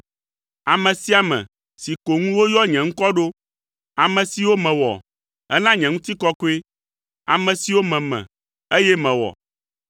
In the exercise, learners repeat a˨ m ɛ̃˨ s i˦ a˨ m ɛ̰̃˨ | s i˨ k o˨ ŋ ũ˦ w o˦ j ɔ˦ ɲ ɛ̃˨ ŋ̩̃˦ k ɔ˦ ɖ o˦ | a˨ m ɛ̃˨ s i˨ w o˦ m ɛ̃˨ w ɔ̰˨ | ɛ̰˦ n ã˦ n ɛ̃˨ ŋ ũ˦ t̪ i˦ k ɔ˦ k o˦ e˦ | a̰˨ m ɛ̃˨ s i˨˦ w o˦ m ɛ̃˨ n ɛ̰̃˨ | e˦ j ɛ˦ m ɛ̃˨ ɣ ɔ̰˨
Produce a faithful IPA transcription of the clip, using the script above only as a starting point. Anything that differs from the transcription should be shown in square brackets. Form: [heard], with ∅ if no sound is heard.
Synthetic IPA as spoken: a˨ m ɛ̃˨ s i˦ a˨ m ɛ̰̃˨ | s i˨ k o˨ ŋ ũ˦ w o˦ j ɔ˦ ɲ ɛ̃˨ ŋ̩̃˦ k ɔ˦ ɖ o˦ | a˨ m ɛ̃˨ s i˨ w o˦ m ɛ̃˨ w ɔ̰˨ | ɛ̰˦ n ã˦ [ɲ] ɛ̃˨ ŋ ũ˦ t̪ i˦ k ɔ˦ k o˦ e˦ | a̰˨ m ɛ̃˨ s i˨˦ w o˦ m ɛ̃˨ [m] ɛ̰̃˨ | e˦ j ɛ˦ m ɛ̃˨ [w] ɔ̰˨